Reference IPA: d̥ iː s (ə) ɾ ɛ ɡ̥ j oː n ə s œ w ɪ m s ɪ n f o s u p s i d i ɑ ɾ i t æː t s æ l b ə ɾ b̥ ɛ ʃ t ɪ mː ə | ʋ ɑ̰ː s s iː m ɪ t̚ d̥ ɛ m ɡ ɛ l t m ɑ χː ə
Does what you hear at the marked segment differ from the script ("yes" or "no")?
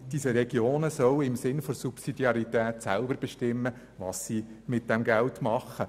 no